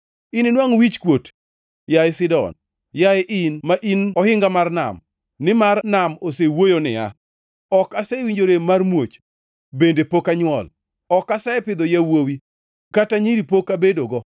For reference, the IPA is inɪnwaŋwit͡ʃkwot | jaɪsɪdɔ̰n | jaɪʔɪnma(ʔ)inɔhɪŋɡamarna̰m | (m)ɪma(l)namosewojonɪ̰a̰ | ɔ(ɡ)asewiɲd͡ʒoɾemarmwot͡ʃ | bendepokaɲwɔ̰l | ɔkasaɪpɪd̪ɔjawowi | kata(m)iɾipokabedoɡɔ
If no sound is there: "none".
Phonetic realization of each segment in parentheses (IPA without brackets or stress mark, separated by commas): ʔ, n, r, k, ɲ